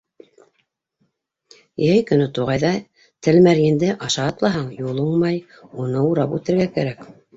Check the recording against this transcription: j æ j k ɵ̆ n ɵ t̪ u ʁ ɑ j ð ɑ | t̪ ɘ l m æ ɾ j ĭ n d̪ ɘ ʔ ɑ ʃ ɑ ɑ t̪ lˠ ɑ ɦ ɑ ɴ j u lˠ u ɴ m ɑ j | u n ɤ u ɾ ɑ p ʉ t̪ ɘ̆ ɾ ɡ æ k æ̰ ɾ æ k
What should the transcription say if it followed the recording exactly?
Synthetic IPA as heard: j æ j k ɵ̆ n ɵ t̪ u ʁ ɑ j ð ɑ | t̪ ɘ l m æ ɾ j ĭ n d̪ ɘ ʔ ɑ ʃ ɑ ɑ t̪ lˠ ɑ ɦ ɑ ɴ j u lˠ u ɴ m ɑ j | u n ɤ u ɾ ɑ p ʉ t̪ ɘ̆ ɾ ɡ æ k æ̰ ɾ æ k